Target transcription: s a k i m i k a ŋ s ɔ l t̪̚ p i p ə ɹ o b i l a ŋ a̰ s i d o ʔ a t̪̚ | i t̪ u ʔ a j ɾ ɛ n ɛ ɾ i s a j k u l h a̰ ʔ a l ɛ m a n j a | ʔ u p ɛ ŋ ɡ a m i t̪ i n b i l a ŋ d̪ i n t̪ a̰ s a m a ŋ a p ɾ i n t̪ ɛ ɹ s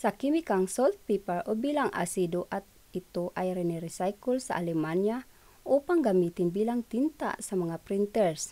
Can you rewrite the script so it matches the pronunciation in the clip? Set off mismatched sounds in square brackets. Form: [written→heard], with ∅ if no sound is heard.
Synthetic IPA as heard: s a k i m i k a ŋ s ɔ l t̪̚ p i p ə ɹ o b i l a ŋ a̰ s i d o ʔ a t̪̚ | i t̪ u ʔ a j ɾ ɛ n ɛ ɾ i s a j k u l [h→s] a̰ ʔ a l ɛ m a n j a | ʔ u p [ɛ→a] ŋ ɡ a m i t̪ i n b i l a ŋ [d̪→t̪] i n t̪ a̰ s a m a ŋ a p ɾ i n t̪ ɛ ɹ s